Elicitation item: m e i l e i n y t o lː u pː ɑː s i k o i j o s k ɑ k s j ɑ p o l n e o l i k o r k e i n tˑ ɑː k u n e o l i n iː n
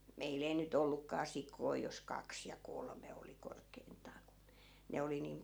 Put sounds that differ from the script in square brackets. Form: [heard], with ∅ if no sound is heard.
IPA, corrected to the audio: m e i l e i n y t o lː u [kː] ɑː s i k o i j o s k ɑ k s j ɑ [k] o l [m] e o l i k o r k e i n tˑ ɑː k u n e o l i n iː [m]